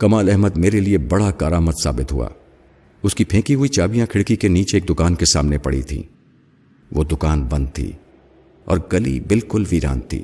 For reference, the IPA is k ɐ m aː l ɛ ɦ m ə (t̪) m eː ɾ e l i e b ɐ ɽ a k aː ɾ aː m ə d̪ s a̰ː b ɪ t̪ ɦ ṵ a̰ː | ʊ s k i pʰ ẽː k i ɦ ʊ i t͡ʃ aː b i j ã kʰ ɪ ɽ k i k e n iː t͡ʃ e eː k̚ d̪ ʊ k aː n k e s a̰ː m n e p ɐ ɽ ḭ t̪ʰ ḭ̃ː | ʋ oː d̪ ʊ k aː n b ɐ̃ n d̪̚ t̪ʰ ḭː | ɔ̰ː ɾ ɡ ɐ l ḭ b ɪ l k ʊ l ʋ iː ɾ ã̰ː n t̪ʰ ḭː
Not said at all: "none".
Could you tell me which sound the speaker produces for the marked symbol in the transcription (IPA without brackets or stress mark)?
d̪